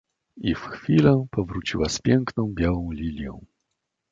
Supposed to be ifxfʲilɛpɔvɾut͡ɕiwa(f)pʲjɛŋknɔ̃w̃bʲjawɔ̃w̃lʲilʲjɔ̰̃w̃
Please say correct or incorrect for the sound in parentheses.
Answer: incorrect